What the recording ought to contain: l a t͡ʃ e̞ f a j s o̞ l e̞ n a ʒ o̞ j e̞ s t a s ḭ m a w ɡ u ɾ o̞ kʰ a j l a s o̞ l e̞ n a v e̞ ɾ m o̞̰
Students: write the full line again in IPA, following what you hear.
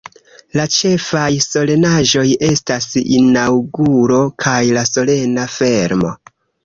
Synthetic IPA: l a t͡ʃ e̞ f a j s o̞ l e̞ n a ʒ o̞ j e̞ s t a s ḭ n a w ɡ u ɾ o̞ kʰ a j l a s o̞ l e̞ n a f e̞ ɾ m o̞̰